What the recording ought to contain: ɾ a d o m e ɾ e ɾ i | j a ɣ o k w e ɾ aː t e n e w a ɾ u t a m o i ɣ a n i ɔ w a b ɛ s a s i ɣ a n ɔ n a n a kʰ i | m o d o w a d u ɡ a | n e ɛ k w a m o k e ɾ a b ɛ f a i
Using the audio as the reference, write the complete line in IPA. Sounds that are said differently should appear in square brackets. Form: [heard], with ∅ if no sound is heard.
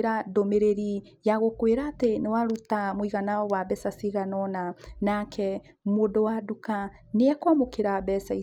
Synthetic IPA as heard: ɾ a d o m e ɾ e ɾ i | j a ɣ o k w e ɾ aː t e n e w a ɾ u t a m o i ɣ a n [a] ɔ w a b ɛ s a s i ɣ a n ɔ n a n a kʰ [ɛ] | m o d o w a d u [k] a | n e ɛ k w a m o k e ɾ a b ɛ [s] a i